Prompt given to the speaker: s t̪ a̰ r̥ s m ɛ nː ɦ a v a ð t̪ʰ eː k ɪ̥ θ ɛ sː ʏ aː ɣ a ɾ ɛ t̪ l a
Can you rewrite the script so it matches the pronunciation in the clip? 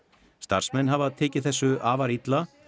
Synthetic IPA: s t̪ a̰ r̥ s m ɛ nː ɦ a v a ð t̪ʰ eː c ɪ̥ θ ɛ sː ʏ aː v a ɾ i t̪ l a